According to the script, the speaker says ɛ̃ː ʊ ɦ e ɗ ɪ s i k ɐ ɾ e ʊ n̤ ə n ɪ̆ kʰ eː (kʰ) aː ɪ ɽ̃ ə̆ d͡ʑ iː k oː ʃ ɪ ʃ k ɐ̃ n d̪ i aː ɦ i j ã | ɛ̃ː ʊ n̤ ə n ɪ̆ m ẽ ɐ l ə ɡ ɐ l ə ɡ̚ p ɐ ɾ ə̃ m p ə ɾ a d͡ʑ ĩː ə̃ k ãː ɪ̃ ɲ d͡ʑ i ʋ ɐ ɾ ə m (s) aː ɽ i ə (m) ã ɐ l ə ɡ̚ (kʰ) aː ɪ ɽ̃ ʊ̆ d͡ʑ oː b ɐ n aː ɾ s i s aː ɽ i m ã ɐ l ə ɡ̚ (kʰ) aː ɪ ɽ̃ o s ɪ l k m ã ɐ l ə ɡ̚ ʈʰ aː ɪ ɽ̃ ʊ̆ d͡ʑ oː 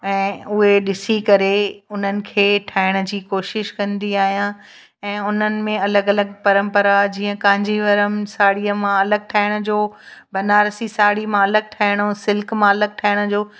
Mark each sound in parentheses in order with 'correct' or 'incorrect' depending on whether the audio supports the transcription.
incorrect: ʈʰ, correct, correct, incorrect: ʈʰ, incorrect: ʈʰ

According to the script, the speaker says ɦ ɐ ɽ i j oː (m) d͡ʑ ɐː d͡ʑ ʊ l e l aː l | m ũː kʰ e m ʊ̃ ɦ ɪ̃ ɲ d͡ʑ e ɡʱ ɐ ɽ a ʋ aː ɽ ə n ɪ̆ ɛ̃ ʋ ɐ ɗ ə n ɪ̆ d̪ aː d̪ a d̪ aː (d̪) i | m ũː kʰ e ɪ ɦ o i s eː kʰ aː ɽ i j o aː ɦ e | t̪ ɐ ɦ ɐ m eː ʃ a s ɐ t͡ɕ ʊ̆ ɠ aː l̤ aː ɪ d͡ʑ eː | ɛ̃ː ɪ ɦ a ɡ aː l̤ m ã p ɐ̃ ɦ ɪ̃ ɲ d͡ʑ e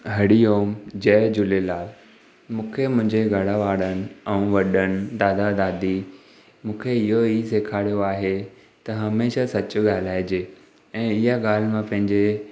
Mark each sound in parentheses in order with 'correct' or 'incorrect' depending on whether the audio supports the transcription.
correct, correct

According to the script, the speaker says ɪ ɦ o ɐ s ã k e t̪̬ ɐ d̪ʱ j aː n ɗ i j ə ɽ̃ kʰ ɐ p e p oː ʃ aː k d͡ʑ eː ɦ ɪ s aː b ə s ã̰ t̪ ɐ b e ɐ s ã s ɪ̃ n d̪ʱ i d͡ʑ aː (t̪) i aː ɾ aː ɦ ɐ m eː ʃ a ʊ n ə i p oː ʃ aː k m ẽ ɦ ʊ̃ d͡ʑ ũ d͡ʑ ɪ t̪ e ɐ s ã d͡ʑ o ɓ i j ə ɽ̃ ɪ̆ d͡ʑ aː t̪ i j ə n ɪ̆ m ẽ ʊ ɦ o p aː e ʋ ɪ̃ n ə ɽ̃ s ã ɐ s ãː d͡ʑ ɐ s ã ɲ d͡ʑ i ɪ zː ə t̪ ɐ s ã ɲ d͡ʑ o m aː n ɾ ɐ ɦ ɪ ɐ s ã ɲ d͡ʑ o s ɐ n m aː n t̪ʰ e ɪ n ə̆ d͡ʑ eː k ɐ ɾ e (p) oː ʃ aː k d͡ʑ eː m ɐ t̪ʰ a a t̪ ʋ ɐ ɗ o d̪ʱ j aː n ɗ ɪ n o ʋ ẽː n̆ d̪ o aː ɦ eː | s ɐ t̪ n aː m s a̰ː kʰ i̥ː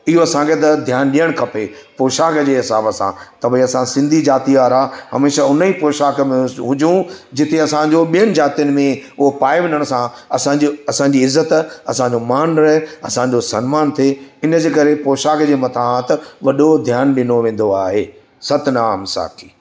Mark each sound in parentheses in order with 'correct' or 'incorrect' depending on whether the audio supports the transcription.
correct, correct

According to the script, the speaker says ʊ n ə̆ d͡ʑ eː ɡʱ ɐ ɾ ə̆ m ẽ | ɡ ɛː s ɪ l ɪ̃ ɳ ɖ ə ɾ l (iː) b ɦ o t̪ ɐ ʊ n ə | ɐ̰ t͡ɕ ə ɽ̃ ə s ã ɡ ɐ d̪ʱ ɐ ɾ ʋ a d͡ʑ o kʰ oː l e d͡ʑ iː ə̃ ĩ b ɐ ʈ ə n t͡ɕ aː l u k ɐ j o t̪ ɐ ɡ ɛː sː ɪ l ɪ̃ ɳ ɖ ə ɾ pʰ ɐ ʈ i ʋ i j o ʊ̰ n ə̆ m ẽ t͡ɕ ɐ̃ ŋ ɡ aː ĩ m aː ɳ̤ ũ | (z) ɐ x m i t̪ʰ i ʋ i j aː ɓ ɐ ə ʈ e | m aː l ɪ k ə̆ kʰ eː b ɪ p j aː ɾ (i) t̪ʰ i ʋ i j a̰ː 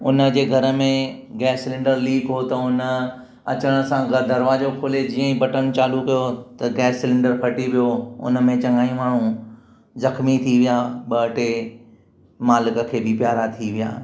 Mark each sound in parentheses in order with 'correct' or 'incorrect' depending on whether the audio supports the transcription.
correct, correct, incorrect: a

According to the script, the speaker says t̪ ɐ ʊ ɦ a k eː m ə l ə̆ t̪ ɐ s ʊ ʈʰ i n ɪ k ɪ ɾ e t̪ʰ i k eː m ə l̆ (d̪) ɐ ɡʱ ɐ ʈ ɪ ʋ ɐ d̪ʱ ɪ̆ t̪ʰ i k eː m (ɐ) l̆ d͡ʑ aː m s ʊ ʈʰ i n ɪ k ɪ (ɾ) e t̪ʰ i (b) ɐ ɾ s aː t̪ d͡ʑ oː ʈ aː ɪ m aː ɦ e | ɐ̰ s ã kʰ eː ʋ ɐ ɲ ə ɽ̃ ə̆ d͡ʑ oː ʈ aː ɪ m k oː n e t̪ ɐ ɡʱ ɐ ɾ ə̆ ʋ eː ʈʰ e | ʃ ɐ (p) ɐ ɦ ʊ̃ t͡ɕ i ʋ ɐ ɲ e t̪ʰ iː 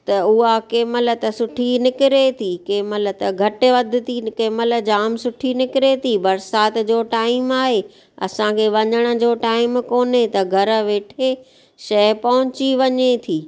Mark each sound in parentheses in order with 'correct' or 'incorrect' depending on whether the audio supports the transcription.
incorrect: t̪, incorrect: ə, correct, correct, correct

